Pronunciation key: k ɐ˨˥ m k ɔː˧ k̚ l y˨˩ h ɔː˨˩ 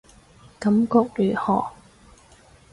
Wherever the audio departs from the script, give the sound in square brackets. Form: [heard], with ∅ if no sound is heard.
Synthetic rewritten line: k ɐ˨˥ m k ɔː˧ k̚ l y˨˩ h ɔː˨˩